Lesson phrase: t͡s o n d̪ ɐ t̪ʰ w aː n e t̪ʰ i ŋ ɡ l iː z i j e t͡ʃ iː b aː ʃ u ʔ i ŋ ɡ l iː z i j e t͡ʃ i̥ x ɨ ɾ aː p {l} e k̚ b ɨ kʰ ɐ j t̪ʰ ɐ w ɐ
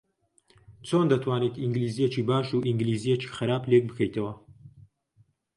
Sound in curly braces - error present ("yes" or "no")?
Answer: no